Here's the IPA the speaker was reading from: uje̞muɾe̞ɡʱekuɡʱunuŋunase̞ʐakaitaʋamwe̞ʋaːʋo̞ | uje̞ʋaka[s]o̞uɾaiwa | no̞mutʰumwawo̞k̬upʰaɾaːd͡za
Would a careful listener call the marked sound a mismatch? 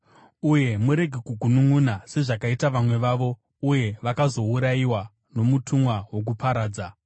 yes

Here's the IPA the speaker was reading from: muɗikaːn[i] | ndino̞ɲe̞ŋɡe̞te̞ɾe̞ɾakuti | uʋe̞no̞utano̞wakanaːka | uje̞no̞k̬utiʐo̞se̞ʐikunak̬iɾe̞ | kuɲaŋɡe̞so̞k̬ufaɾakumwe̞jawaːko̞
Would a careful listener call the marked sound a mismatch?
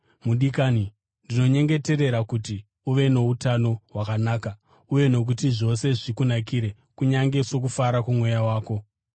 no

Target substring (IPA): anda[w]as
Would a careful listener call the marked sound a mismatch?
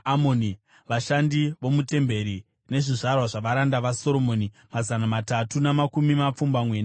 yes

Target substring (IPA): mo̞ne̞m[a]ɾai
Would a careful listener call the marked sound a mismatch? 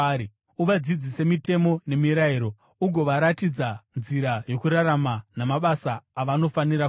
yes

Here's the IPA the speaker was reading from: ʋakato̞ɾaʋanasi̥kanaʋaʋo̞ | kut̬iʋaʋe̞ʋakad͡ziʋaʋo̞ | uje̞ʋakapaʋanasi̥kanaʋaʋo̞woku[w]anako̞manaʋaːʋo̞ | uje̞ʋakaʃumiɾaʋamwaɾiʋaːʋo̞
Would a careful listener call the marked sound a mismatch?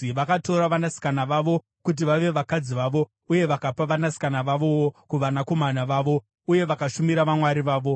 yes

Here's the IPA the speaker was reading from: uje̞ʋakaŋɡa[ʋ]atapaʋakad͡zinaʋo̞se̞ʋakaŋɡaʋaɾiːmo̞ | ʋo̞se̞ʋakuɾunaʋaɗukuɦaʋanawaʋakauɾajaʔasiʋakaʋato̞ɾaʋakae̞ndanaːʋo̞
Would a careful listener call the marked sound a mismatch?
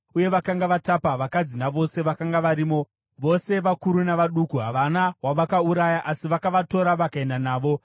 no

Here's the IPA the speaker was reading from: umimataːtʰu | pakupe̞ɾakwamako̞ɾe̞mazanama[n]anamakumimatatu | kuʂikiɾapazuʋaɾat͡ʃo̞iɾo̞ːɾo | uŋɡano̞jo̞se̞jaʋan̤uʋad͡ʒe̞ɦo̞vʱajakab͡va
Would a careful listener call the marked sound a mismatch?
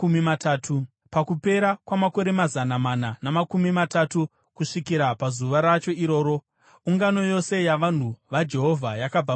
no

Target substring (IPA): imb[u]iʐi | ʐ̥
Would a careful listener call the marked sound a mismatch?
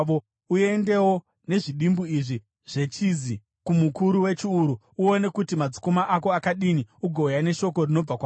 no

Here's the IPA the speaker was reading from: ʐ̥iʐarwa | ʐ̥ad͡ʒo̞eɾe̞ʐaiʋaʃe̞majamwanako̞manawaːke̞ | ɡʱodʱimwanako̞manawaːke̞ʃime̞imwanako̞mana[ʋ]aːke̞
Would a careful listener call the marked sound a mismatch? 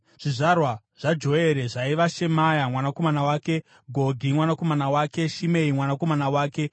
yes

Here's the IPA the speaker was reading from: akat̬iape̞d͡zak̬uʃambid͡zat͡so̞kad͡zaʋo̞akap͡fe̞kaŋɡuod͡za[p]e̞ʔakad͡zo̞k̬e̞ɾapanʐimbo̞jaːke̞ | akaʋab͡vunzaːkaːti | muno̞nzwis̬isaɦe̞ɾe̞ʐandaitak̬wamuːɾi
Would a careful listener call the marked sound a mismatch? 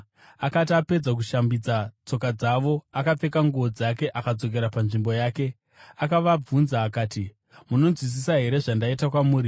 yes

